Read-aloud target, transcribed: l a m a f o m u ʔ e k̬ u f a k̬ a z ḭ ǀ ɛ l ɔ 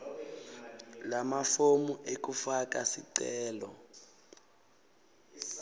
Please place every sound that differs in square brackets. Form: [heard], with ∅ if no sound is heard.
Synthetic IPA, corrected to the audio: l a m a f o m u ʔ e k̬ u f a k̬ a [s] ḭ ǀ [ɛː] l ɔ

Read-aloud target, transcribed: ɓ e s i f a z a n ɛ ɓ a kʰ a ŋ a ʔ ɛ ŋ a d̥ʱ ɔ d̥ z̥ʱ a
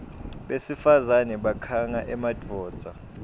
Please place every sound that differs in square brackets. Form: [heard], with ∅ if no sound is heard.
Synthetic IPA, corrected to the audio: ɓ e s i f a z a n ɛ ɓ a kʰ a ŋ a ʔ ɛ [m] a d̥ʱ [ɔː] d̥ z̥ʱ a

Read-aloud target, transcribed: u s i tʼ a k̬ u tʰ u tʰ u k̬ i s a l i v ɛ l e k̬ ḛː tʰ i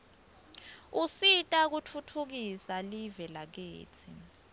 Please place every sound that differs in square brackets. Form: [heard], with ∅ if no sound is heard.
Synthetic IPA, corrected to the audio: u s i tʼ a k̬ u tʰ u tʰ u k̬ i s a l i v ɛ l [a] k̬ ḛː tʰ i

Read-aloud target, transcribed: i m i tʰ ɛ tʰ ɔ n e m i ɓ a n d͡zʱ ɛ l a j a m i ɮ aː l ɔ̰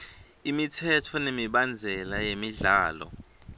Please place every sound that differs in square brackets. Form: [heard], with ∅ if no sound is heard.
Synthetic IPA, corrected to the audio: i m i tʰ ɛ tʰ ɔ n e m i ɓ a n d͡zʱ ɛ l a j [e] m i ɮ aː l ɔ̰

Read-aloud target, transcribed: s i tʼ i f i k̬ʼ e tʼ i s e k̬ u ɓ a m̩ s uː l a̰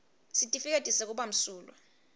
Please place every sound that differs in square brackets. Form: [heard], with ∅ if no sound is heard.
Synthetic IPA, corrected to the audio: s i tʼ i f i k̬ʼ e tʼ i s [ɛ] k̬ u ɓ a m̩ s uː l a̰

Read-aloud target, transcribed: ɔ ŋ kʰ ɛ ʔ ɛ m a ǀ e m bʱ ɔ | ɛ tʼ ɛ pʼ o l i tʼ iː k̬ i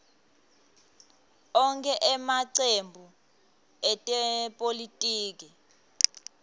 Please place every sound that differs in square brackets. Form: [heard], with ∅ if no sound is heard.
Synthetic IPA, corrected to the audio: ɔ ŋ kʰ ɛ ʔ ɛ m a ǀ e m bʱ [u] | ɛ tʼ ɛ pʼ o l i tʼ iː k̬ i

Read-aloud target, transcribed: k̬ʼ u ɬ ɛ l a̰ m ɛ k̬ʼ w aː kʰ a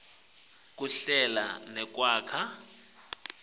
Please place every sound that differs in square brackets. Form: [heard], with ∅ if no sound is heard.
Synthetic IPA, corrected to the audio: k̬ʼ u ɬ ɛ l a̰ [n] ɛ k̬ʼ w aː kʰ a

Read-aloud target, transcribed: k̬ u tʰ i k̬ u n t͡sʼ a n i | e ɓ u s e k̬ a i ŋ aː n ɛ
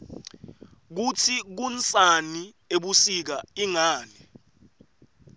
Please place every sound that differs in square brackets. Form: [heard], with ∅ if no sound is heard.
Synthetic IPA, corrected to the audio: k̬ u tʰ i k̬ u n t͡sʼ a n i | e ɓ u s [i] k̬ a i ŋ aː n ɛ

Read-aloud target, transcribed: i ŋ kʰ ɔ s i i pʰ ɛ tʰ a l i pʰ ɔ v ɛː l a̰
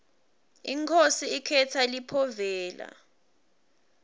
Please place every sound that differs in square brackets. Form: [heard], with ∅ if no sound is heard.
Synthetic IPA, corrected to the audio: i ŋ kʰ [o] s i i [kʰ] ɛ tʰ a l i pʰ ɔ v ɛː l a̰

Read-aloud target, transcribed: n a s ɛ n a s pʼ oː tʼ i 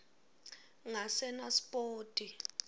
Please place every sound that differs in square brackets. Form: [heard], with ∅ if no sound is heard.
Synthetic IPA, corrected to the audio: [ŋ] a s ɛ n a s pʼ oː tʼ i

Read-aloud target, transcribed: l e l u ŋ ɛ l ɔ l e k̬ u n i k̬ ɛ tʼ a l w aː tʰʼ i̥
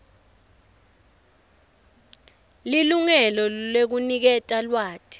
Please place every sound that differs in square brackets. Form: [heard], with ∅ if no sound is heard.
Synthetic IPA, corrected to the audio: l [i] l u ŋ ɛ l ɔ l e k̬ u n i k̬ ɛ tʼ a l w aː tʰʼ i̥

